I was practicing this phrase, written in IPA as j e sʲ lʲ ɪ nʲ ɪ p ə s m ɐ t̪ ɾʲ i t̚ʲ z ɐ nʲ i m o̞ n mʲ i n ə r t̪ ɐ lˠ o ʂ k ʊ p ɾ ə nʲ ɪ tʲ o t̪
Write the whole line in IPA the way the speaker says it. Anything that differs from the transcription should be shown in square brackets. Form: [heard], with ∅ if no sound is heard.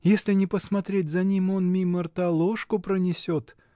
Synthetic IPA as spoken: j e sʲ lʲ ɪ nʲ ɪ p ə s m ɐ t̪ ɾʲ [e] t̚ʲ z ɐ nʲ i m o̞ n mʲ i [m] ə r t̪ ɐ lˠ o ʂ k ʊ p ɾ ə nʲ ɪ [sʲ] o t̪